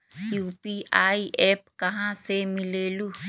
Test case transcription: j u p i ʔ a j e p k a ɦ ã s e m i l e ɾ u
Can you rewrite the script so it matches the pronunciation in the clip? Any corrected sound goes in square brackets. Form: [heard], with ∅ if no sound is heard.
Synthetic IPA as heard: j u p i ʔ a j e p k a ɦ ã s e m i l e [l] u